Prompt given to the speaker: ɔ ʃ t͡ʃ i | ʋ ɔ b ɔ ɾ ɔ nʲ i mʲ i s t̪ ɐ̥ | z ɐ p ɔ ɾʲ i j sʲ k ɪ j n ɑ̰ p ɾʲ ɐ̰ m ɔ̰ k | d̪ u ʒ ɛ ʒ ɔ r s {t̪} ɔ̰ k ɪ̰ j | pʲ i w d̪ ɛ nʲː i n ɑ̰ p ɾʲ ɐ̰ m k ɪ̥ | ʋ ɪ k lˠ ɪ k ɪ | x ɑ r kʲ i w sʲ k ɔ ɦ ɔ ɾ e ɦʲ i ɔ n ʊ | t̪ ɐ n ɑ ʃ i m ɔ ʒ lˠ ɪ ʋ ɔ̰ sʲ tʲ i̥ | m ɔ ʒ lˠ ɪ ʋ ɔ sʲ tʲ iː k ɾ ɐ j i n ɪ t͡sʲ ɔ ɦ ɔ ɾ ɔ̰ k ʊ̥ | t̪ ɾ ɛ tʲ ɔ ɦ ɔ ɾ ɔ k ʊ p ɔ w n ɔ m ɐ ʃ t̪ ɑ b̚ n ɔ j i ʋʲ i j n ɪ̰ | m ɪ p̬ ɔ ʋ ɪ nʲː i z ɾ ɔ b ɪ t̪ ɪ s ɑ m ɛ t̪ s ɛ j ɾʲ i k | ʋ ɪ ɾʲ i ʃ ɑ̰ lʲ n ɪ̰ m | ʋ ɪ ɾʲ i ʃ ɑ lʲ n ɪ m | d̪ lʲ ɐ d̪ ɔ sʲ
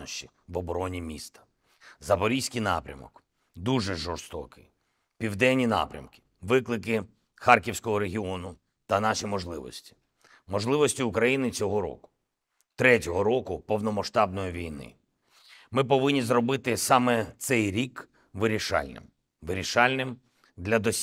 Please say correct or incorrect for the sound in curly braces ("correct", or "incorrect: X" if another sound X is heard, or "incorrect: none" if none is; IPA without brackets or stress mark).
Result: correct